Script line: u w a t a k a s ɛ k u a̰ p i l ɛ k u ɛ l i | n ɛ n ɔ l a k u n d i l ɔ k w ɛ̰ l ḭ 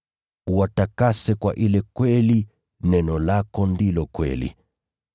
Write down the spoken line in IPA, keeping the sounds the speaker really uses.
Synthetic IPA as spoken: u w a t a k a s ɛ k w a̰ ʔ i l ɛ k w ɛ l i | n ɛ n ɔ l a k ɔ n d i l ɔ k w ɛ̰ l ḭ